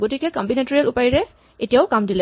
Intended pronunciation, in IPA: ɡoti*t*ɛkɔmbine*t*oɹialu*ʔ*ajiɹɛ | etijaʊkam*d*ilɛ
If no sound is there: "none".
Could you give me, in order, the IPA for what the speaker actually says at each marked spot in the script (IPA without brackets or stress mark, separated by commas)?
k, t, p, d